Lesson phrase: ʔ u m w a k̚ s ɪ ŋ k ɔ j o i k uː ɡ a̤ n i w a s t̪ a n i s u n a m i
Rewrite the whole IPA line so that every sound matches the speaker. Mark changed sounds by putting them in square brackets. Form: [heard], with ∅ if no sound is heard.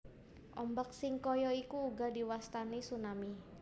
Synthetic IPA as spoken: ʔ [ɔ] m [b] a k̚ s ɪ ŋ k ɔ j [ɔ] i k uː ɡ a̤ [d] i w a s t̪ a n i s u n a m i